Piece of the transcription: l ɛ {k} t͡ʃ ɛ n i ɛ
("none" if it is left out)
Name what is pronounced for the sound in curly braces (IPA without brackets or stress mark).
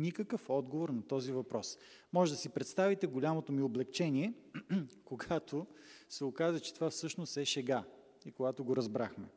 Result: k